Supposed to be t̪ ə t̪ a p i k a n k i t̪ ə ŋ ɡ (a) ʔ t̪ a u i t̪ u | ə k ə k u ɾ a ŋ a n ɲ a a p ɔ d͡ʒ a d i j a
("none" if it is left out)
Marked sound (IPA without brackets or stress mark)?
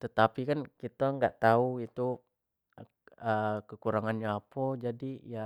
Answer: a